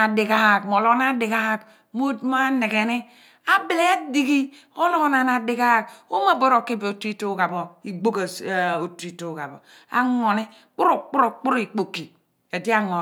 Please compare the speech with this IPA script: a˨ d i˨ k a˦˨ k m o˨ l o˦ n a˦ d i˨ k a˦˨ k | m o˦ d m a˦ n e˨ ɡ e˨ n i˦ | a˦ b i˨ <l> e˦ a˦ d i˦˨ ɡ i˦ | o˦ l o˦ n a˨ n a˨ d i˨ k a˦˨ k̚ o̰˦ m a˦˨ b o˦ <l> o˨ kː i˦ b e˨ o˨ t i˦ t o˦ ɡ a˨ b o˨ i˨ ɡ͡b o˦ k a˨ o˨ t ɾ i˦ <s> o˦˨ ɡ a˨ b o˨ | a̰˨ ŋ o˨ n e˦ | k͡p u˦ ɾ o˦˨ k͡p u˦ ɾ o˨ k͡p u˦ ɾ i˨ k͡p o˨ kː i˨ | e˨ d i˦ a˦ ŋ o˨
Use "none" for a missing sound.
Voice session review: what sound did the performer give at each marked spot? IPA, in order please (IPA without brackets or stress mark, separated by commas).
l, ɾ, t